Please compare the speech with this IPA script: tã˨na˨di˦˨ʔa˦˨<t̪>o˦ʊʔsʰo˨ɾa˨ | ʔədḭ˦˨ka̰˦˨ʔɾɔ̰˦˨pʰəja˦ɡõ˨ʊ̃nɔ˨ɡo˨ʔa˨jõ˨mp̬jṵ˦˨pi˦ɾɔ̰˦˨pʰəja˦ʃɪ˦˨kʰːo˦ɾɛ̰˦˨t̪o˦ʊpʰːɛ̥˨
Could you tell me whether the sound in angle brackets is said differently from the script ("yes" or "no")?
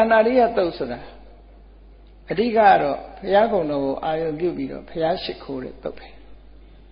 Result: no